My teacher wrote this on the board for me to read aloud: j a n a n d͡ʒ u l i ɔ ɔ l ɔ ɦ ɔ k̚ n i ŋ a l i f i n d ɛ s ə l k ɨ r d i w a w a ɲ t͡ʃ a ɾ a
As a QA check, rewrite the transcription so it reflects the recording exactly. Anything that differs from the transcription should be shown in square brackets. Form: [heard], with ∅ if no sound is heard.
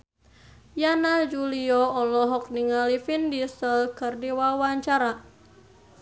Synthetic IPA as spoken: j a n a [∅] d͡ʒ u l i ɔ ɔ l ɔ ɦ ɔ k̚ n i ŋ a l i f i n d [i] s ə l k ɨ r d i w a w a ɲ t͡ʃ a ɾ a